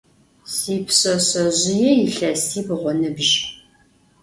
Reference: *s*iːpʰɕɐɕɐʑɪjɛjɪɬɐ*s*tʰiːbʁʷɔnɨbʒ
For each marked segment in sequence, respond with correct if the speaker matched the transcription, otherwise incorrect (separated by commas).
correct, correct